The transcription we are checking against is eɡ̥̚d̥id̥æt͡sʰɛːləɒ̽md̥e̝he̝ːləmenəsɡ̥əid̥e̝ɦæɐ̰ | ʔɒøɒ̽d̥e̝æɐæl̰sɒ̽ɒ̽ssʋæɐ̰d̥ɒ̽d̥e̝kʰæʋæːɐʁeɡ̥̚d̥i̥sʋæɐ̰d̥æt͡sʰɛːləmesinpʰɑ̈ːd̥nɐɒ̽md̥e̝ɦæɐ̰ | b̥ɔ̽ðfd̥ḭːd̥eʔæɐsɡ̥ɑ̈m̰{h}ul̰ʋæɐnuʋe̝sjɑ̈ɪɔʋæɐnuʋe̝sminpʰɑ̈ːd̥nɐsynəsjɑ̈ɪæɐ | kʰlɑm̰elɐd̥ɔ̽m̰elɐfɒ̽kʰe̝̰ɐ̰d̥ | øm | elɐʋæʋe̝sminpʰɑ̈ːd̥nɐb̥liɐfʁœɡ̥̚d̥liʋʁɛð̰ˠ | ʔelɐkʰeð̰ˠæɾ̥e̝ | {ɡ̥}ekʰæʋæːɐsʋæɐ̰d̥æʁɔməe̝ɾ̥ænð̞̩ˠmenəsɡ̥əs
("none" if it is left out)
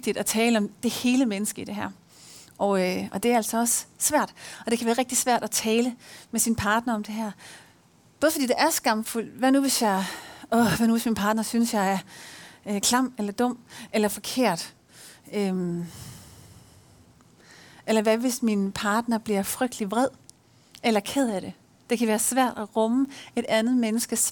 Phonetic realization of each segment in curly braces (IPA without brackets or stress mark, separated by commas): f, d̥